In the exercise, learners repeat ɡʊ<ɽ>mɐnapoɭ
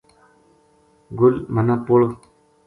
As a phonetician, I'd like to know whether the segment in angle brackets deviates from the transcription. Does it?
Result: yes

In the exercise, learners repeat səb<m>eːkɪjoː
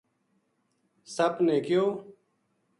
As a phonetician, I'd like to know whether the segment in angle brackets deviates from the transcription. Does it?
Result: yes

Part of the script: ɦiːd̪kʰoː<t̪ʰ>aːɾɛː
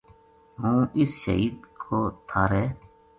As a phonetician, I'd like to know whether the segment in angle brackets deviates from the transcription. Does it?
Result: no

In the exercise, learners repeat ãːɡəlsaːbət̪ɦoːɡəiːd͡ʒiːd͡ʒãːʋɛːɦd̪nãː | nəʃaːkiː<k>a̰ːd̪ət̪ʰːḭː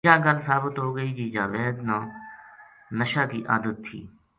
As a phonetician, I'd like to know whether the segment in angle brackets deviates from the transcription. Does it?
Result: yes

